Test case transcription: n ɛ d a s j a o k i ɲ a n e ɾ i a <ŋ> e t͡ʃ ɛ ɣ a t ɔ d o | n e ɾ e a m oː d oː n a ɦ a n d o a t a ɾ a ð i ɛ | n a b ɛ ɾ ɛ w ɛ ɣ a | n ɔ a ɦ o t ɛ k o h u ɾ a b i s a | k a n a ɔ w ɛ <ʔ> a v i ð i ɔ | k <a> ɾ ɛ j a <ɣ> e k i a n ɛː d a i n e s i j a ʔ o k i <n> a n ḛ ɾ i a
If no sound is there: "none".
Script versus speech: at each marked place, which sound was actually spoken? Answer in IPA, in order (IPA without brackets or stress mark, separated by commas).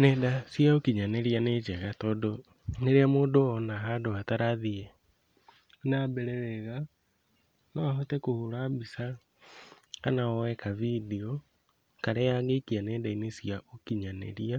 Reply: n, k, a, ɣ, ɲ